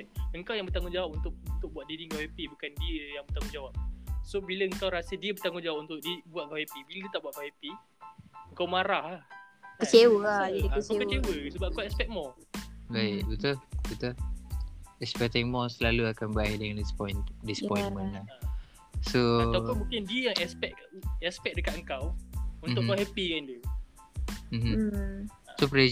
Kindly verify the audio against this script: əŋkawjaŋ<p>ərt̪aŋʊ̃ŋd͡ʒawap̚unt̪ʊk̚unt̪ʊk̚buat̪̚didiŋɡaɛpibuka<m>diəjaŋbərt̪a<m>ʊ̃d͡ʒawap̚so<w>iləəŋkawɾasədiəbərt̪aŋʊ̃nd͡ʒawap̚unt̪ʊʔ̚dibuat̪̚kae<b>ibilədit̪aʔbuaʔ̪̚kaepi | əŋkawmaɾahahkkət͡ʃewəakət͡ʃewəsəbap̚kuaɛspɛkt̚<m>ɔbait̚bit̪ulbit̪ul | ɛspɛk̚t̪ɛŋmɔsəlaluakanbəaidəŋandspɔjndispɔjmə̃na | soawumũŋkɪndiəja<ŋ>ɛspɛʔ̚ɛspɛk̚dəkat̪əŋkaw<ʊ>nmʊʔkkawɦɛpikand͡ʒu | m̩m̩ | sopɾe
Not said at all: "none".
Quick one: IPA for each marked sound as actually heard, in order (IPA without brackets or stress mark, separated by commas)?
b, n, ŋ, b, p, m, ŋ, u